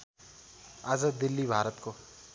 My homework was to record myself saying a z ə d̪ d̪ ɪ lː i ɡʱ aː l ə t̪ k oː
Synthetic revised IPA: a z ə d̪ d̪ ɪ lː i bʱ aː ɾ ə t̪ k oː